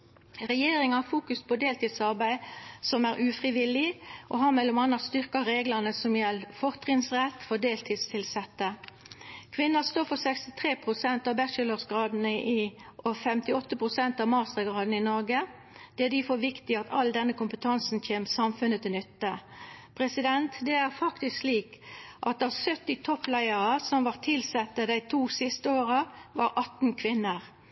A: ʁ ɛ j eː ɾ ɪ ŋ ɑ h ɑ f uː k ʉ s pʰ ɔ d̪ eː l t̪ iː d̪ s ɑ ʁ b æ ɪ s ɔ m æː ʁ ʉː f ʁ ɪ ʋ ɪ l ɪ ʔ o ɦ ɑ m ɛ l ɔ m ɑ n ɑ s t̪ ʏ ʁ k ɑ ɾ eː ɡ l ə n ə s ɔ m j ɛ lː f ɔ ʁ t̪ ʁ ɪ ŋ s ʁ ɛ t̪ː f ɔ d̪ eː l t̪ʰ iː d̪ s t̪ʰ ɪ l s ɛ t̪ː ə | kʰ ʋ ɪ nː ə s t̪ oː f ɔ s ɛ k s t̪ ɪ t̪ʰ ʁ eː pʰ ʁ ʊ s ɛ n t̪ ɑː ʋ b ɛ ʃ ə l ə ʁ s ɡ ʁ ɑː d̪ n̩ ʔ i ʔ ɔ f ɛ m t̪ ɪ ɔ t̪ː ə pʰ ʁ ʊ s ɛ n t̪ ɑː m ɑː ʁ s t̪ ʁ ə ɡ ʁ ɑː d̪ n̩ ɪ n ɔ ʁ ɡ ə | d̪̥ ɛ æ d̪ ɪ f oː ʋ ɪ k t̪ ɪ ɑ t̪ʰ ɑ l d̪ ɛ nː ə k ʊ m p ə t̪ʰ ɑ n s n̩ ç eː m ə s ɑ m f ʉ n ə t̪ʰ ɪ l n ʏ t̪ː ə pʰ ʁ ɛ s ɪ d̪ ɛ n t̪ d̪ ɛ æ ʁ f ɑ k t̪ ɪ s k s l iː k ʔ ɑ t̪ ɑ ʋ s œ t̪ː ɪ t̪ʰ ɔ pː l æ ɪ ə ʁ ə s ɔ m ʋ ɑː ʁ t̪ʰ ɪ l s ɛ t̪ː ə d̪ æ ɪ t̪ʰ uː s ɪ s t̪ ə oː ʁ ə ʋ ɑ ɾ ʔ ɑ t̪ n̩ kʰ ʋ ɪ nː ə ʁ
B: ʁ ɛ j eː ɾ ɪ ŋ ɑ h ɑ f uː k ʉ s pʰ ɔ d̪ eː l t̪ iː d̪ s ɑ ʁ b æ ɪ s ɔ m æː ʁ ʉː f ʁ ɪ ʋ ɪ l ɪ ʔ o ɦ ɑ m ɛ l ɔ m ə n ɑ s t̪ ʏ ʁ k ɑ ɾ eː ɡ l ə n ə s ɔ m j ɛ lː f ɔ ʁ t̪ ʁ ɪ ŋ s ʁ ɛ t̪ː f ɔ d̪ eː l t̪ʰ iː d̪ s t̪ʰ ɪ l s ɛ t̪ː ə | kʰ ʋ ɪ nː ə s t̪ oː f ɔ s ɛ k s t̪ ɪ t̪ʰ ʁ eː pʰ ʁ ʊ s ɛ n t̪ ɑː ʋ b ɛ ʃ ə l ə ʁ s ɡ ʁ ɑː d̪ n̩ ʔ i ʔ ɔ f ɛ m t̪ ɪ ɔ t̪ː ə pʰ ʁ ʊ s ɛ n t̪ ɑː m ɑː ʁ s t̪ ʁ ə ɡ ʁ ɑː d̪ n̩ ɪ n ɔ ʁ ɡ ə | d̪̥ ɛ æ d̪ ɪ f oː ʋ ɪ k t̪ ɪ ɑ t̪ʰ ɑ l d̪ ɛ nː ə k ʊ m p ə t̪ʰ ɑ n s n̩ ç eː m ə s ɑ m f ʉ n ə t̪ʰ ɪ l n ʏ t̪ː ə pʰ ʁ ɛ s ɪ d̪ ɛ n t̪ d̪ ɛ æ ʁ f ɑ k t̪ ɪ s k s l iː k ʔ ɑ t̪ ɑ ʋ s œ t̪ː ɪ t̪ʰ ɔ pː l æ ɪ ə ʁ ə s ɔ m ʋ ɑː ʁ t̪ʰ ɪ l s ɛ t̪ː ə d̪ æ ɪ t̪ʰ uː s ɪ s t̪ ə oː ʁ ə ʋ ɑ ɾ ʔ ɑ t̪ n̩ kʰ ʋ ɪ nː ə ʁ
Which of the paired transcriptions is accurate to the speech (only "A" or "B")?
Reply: A